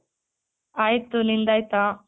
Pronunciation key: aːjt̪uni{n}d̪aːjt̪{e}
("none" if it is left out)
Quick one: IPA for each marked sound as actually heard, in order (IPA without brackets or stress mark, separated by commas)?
n, a